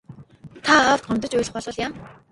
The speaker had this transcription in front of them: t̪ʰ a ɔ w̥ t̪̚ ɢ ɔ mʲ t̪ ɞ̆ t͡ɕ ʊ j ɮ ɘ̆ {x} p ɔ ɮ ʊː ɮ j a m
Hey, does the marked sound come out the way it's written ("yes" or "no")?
no